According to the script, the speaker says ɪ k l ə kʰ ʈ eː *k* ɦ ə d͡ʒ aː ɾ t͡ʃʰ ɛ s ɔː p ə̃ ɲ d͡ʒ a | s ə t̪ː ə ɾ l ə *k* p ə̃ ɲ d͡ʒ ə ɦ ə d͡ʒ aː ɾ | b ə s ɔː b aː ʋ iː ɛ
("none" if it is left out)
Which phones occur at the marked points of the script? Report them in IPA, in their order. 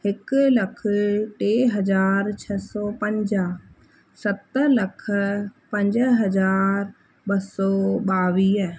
none, kʰ

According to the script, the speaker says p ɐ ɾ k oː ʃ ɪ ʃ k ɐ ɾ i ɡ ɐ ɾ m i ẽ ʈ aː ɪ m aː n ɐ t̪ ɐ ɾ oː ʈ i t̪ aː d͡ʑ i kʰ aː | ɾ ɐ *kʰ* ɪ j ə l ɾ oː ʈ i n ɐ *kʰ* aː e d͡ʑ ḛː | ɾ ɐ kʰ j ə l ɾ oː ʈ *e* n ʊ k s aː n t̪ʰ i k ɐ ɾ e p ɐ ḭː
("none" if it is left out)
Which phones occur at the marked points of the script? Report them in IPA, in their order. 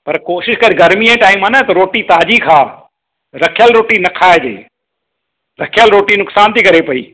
kʰ, kʰ, i

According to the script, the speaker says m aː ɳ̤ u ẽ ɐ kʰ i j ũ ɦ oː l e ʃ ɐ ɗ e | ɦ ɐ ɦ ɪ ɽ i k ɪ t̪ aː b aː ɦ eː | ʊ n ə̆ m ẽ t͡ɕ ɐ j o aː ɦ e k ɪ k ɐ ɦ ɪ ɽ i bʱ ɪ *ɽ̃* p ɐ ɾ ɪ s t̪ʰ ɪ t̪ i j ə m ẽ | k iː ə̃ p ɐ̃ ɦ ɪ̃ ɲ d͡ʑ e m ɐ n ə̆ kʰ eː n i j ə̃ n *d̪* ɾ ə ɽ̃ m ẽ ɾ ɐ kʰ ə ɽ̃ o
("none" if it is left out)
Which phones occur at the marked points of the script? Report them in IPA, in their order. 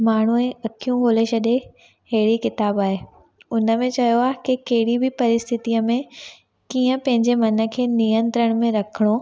none, t̪

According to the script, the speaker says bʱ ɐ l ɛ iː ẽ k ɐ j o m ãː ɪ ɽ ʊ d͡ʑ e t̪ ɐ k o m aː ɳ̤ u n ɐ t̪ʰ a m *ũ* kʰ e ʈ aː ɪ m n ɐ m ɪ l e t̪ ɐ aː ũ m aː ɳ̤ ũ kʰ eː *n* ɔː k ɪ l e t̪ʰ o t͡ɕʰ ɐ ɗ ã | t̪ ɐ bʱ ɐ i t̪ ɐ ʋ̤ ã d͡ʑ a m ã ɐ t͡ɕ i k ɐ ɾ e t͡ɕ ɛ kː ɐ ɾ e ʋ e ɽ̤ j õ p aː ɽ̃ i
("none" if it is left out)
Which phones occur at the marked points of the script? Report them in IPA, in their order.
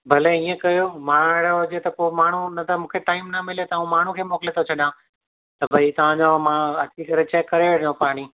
ũː, m

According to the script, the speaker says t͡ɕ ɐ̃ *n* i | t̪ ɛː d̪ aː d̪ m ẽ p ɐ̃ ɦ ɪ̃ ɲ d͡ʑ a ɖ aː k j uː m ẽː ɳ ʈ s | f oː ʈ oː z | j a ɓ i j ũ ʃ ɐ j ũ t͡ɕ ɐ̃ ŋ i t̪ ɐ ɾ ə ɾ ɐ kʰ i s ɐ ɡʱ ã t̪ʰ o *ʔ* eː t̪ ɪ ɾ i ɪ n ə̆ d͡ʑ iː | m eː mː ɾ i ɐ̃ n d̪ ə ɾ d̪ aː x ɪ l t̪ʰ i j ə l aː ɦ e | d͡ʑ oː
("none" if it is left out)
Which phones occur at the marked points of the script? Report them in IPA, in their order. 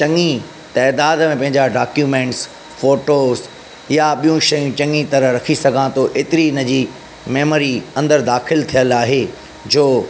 ŋ, ʔ

